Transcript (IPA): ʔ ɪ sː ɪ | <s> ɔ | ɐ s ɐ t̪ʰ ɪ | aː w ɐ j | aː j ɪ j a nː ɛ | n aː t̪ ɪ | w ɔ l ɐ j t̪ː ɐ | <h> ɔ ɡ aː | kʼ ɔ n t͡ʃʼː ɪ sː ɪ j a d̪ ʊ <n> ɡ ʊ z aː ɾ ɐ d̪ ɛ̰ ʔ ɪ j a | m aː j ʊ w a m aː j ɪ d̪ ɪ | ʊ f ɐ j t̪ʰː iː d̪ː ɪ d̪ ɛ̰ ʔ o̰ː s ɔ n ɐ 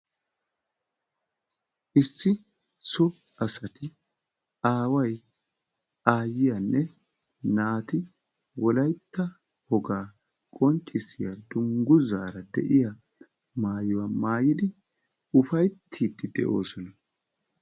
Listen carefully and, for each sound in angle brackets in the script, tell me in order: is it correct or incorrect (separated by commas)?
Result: correct, correct, incorrect